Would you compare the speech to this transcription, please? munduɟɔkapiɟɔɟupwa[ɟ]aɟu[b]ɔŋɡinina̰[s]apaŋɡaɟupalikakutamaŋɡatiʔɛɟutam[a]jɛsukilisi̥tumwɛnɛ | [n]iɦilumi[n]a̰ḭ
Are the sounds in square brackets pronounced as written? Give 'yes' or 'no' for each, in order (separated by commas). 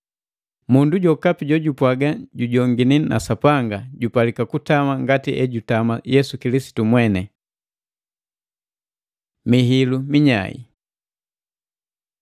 no, no, yes, yes, no, no